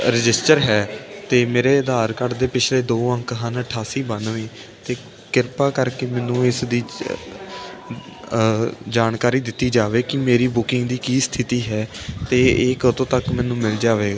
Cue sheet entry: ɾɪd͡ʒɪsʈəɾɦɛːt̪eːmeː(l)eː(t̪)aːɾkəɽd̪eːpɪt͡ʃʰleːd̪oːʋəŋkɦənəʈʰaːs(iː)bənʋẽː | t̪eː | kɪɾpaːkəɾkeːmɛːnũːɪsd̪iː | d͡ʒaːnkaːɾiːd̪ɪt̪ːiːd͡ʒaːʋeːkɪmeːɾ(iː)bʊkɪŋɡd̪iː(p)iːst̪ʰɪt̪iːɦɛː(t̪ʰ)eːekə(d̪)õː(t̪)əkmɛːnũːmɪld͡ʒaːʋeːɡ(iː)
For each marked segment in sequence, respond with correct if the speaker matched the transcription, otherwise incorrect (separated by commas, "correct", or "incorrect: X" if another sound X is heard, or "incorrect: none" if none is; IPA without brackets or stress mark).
incorrect: ɾ, incorrect: d̪, correct, correct, incorrect: k, incorrect: t̪, incorrect: t̪, correct, incorrect: aː